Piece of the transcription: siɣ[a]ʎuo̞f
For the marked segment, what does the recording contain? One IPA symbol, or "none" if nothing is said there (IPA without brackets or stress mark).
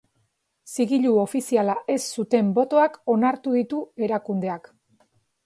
i